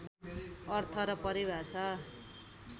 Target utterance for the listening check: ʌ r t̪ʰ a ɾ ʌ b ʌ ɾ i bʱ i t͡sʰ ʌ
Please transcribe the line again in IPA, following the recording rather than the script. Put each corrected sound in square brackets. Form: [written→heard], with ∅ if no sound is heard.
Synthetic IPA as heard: ʌ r t̪ʰ [a→ʌ] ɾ ʌ [b→p] ʌ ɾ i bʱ [i→a] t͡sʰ ʌ